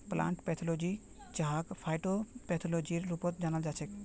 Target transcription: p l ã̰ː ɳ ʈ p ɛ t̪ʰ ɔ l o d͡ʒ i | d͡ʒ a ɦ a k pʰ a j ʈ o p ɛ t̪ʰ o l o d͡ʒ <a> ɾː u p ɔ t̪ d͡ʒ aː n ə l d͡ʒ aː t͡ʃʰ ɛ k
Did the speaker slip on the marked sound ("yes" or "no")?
yes